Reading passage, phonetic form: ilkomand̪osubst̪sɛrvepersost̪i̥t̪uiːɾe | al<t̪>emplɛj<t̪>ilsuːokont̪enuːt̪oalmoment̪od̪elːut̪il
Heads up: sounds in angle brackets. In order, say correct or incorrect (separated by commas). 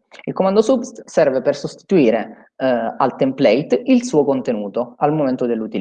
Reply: correct, correct